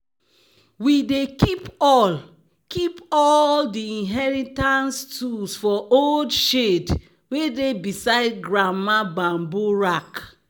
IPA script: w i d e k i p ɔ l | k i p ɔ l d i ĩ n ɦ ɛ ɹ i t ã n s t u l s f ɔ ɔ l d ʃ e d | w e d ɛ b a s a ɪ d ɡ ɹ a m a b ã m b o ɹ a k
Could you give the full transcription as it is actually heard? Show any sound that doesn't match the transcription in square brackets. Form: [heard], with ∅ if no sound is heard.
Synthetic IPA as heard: w i d e k i p ɔ l | k i p ɔ l d i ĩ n ɦ ɛ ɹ i t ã n s t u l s f ɔ [o] l d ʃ e d | w e d [e] b [i] s a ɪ d ɡ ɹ a m a b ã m b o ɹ a k